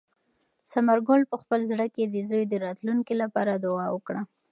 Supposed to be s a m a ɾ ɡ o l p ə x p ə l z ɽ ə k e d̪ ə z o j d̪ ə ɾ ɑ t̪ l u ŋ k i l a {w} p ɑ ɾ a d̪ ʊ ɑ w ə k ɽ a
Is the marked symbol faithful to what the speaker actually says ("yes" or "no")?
no